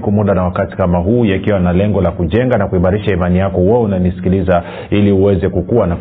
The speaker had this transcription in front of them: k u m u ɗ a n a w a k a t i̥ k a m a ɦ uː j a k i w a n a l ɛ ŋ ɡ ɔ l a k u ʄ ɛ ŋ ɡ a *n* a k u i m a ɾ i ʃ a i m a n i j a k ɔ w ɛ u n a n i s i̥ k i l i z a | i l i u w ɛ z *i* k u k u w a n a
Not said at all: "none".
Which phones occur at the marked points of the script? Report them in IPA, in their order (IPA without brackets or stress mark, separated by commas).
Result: n, ɛ